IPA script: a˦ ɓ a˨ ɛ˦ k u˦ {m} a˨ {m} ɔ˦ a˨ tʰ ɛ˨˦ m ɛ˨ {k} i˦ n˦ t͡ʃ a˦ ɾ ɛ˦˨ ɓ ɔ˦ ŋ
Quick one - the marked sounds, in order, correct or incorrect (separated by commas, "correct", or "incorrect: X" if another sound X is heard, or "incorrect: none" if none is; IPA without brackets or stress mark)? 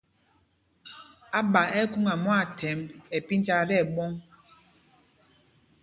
incorrect: ŋ, correct, incorrect: p